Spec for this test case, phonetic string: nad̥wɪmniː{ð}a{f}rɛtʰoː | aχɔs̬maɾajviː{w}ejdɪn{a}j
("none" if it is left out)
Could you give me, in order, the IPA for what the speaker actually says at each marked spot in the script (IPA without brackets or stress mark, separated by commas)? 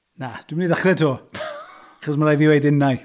ð, χ, w, a